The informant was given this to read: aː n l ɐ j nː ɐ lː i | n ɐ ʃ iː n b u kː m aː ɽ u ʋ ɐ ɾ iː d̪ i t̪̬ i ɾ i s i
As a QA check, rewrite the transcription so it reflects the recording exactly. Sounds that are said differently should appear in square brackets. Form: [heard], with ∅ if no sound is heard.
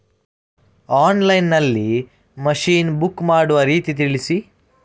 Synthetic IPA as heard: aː n l ɐ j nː ɐ lː i | [m] ɐ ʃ iː n b u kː m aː ɽ u ʋ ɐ ɾ iː [t̪] i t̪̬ i [ɭ] i s i

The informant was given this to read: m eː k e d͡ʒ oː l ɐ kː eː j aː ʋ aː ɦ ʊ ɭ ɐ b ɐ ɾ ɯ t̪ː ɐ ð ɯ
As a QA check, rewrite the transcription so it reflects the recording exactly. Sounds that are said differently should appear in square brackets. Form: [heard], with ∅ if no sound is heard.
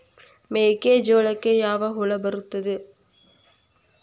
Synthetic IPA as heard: m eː k e d͡ʒ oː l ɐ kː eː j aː ʋ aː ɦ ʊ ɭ ɐ b ɐ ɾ ɯ t̪ː ɐ ð ɯ

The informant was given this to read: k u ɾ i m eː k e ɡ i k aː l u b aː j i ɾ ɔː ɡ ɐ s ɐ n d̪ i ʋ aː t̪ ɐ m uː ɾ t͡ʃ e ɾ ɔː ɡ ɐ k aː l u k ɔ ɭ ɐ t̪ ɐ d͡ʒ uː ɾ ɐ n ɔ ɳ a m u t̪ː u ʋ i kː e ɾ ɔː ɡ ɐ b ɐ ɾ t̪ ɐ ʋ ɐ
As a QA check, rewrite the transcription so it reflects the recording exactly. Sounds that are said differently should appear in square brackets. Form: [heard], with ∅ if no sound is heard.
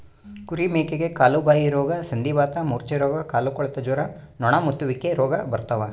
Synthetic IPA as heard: k u ɾ i m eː k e ɡ [e] k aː l u b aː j i ɾ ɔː ɡ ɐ s ɐ n d̪ i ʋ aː t̪ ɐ m uː ɾ t͡ʃ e ɾ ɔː ɡ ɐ k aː l u k ɔ ɭ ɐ t̪ ɐ d͡ʒ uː ɾ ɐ n ɔ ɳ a m u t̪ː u ʋ i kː e ɾ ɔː ɡ ɐ b ɐ ɾ t̪ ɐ ʋ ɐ

